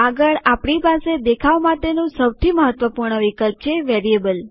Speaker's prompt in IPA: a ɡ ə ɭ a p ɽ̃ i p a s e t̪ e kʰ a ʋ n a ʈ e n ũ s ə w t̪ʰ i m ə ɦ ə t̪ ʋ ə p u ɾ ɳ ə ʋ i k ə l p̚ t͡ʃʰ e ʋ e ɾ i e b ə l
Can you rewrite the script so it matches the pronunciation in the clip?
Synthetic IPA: a ɡ ə ɭ a p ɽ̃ i p a s e d̪ e kʰ a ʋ m a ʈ e n ũ s ə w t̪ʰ i m ə ɦ ə t̪ ʋ ə p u ɾ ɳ ə ʋ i k ə l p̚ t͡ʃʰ e ʋ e ɾ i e b ə l